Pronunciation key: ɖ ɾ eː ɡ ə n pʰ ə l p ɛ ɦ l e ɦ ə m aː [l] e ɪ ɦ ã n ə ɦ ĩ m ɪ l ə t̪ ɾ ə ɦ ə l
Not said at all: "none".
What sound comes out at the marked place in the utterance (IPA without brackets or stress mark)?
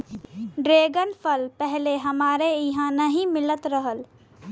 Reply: ɾ